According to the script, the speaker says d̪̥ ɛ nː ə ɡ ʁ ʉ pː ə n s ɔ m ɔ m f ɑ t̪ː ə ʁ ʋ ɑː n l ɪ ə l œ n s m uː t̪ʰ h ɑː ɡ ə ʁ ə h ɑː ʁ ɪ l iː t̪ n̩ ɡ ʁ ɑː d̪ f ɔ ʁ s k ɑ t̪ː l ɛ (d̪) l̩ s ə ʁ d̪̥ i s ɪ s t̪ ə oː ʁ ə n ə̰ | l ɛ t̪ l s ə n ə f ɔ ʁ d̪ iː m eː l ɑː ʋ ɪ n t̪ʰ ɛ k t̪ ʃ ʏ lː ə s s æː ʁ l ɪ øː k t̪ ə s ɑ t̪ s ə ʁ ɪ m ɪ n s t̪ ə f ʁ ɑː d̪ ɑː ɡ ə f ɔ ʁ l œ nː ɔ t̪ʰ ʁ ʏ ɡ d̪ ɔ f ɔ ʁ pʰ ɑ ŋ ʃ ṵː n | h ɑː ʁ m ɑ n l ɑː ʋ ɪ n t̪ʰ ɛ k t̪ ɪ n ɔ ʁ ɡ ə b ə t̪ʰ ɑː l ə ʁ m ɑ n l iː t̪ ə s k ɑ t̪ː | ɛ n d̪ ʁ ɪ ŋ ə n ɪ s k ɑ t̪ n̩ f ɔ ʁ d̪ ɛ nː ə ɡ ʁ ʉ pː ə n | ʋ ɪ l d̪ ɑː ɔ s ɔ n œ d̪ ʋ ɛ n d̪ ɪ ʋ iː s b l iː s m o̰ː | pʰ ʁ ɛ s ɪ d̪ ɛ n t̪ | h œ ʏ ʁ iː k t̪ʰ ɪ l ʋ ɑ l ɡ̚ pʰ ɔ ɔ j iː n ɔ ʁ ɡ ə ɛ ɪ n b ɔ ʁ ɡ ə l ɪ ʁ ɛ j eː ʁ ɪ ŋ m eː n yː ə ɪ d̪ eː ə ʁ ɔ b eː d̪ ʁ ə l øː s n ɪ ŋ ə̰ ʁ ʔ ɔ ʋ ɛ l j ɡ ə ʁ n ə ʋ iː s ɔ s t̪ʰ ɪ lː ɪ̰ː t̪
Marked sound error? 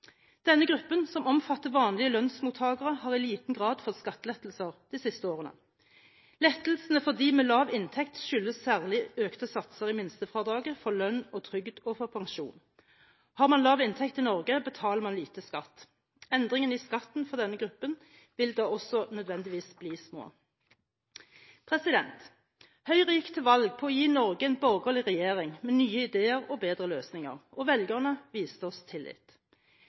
yes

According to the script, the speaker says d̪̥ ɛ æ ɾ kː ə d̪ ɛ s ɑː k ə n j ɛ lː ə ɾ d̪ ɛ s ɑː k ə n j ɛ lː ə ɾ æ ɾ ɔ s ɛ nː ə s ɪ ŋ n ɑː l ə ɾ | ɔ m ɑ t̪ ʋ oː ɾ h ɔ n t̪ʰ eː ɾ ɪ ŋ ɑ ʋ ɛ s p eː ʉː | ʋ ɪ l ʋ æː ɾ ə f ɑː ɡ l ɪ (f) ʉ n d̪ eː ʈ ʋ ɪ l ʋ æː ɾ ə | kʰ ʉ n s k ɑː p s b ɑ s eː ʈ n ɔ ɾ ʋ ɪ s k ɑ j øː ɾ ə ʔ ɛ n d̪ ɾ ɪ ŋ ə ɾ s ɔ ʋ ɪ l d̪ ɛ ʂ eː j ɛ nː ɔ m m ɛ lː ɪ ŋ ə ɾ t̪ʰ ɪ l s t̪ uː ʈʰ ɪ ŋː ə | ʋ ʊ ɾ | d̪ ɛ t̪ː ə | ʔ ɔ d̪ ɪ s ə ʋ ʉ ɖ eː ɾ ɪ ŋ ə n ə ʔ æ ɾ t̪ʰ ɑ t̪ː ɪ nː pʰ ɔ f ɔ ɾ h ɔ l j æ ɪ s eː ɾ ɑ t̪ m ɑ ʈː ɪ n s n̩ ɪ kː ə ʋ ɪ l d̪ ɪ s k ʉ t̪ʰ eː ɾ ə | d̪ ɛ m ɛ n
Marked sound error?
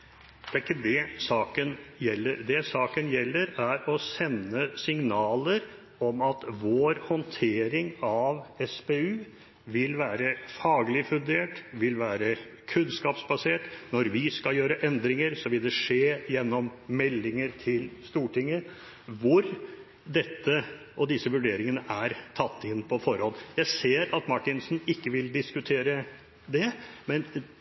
no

